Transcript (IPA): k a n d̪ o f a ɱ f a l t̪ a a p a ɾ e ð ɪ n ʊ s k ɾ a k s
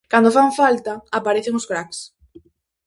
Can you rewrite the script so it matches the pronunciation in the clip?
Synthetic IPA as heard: k a n d̪ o f a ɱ f a l t̪ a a p a ɾ e θ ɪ ŋ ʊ s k ɾ a k s